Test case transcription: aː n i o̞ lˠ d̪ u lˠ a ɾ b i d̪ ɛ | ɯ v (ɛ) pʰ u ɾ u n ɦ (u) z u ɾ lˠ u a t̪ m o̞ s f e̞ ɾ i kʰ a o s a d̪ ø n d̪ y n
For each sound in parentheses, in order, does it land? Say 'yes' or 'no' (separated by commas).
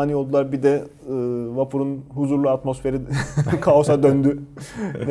no, yes